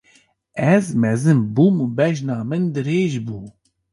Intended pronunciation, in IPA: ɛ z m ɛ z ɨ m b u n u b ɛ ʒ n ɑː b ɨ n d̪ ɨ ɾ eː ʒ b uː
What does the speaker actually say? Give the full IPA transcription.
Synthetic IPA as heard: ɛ z m ɛ z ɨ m b u m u b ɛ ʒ n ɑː m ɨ n d̪ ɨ ɾ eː ʒ b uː